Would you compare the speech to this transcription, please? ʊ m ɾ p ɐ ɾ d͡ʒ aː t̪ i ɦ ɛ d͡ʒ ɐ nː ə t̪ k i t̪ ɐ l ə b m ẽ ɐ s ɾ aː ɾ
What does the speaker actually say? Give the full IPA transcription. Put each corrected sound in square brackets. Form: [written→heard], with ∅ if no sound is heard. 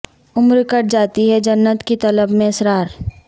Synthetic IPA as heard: ʊ m ɾ [p→k] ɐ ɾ d͡ʒ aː t̪ i ɦ ɛ d͡ʒ ɐ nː ə t̪ k i t̪ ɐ l ə b m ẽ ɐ s ɾ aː ɾ